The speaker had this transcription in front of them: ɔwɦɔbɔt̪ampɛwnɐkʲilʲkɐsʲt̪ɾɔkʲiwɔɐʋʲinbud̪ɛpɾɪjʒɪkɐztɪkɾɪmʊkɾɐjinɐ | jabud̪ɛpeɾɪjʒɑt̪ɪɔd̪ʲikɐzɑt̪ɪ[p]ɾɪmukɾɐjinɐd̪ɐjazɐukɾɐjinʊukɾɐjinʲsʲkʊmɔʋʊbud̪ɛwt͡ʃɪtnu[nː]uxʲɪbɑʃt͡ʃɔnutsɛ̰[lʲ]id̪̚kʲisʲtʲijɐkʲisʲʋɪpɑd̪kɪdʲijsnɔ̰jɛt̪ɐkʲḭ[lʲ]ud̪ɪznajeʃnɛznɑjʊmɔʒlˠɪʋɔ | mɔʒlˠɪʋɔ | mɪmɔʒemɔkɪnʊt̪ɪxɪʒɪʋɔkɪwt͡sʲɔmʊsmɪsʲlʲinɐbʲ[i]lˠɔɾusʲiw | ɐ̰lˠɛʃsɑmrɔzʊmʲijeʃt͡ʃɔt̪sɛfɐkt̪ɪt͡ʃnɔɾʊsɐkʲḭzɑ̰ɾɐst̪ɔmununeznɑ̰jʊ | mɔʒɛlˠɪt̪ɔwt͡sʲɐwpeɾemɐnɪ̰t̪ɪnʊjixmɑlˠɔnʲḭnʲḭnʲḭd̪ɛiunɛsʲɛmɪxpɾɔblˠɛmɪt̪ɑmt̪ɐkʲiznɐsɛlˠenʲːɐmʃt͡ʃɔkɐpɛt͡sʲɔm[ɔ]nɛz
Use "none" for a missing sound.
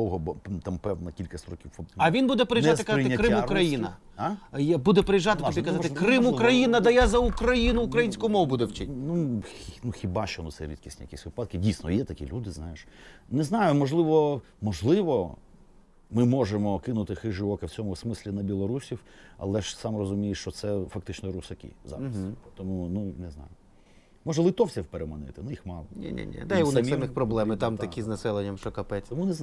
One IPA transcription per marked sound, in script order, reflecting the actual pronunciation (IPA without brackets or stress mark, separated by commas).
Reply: k, n, ɾʲ, lʲ, i, u